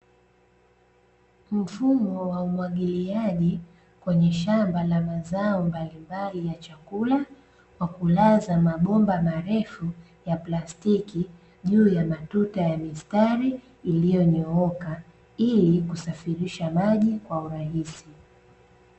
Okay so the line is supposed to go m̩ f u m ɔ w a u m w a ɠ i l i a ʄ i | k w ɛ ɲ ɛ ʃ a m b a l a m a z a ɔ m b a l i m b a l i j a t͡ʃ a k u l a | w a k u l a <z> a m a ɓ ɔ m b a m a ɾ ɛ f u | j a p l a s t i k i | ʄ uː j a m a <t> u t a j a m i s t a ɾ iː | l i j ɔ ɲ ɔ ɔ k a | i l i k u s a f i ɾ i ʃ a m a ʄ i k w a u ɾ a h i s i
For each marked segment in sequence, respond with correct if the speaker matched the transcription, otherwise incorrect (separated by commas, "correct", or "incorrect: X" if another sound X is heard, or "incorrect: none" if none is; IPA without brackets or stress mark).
correct, correct